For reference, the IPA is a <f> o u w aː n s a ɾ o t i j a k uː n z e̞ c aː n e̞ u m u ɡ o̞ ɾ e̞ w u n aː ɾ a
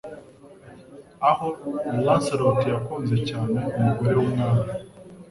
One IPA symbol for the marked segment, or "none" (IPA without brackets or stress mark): h